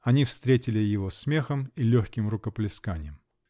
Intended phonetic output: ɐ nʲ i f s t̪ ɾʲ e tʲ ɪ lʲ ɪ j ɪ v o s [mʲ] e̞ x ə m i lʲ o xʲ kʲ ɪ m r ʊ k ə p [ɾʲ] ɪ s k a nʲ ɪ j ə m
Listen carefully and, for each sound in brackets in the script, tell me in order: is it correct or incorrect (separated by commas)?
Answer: correct, incorrect